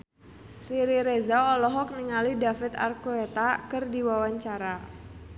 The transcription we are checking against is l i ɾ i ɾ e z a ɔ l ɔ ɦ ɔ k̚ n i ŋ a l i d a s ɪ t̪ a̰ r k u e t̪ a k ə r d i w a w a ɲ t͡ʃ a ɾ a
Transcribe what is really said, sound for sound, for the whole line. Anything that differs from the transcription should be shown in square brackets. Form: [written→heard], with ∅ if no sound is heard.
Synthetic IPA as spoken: [l→r] i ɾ i ɾ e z a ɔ l ɔ ɦ ɔ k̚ n i ŋ a l i d a [s→f] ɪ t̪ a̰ r k u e t̪ a k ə r d i w a w a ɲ t͡ʃ a ɾ a